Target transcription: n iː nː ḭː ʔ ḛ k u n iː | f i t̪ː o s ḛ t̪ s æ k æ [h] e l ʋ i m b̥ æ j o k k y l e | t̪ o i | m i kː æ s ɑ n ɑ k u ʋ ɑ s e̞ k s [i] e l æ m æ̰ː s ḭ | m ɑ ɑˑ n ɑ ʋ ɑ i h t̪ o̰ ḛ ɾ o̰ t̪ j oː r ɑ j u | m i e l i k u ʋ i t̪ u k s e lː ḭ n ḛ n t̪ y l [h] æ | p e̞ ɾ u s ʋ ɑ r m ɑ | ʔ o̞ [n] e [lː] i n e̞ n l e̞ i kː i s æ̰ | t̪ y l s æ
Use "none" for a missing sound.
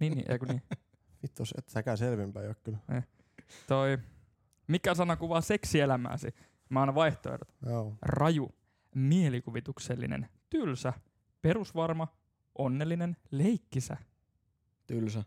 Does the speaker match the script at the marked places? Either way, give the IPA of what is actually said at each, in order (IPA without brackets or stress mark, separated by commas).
s, i, s, nː, lː